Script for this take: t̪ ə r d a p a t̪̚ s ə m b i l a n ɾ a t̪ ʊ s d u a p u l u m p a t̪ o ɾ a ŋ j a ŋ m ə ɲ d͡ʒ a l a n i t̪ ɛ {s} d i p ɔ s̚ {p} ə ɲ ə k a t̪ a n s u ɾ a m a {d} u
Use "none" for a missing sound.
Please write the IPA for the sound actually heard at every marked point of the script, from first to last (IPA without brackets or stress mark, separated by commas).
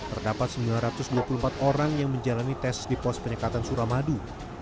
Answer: s, p, d